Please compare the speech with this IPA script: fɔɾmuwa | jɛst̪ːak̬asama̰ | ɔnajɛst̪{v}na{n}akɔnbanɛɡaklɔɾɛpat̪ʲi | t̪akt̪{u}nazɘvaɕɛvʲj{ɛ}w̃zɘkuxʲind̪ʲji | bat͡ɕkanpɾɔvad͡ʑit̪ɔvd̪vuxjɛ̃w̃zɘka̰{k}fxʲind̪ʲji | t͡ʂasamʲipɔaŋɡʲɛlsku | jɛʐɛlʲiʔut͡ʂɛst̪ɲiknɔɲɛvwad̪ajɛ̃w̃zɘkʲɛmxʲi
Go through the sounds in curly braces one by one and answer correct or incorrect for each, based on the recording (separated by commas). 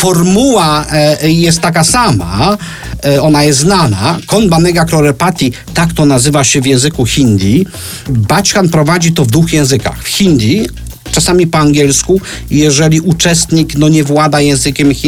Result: incorrect, correct, incorrect, incorrect, incorrect